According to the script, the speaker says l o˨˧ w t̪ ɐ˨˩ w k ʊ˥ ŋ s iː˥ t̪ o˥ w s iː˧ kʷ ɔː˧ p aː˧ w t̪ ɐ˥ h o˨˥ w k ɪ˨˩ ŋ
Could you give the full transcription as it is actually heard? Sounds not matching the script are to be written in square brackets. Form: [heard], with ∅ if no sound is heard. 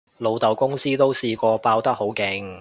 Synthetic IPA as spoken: l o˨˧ w t̪ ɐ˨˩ w k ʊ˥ ŋ s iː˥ t̪ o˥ w s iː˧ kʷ ɔː˧ p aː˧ w t̪ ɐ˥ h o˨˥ w k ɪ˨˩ ŋ